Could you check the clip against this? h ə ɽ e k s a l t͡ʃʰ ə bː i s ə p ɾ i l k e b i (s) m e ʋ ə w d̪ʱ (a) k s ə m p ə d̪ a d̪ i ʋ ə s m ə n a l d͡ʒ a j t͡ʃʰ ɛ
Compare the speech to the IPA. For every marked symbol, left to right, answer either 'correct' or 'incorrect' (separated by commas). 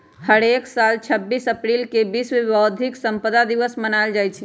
correct, incorrect